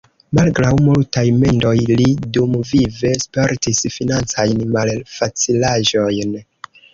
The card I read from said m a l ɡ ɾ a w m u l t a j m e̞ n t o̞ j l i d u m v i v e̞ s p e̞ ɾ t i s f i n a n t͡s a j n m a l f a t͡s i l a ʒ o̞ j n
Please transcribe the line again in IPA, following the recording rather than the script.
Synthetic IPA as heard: m a l ɡ ɾ a w m u l t a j m e̞ n d o̞ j l i d u m v i v e̞ s p e̞ ɾ t i s f i n a n t͡s a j n m a l f a t͡s i l a ʒ o̞ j n